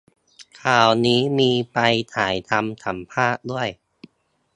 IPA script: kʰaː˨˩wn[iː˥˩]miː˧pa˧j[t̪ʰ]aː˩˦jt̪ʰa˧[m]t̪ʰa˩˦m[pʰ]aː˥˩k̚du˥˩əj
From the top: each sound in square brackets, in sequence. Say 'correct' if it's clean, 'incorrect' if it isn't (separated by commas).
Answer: incorrect, correct, correct, correct